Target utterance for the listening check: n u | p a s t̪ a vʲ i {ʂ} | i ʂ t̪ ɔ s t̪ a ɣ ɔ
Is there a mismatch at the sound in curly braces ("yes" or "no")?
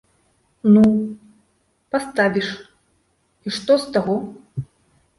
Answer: no